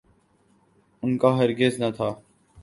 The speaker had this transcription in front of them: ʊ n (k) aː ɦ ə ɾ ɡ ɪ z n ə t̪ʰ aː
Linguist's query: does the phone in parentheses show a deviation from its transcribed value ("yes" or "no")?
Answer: no